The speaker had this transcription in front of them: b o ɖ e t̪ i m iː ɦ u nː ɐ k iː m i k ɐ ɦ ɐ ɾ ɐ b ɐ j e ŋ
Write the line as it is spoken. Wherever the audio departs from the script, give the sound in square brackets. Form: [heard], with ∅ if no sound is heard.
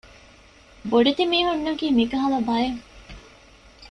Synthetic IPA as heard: b o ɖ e t̪ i m iː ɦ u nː ɐ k iː m i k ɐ ɦ ɐ [l] ɐ b ɐ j e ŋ